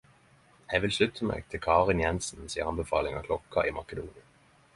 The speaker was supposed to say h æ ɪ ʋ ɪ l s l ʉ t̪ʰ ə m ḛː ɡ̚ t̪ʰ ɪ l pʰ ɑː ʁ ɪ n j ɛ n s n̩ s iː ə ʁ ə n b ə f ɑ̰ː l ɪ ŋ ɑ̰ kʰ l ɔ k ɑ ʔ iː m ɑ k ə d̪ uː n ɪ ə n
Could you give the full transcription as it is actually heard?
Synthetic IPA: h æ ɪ ʋ ɪ l s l ʉ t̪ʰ ə m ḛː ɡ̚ t̪ʰ ɪ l kʰ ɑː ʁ ɪ n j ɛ n s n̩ s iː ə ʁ ɑ n b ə f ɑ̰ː l ɪ ŋ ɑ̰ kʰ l ɔ k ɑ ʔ iː m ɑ k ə d̪ uː n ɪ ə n